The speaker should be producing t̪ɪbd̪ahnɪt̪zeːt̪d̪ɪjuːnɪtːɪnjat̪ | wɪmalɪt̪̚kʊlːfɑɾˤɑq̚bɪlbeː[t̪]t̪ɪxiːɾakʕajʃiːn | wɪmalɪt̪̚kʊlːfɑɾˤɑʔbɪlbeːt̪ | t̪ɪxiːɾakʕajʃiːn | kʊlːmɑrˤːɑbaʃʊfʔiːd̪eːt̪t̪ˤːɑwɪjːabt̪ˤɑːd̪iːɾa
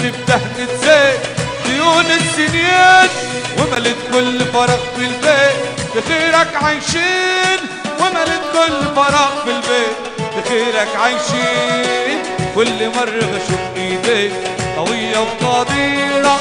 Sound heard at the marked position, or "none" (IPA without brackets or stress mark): t̪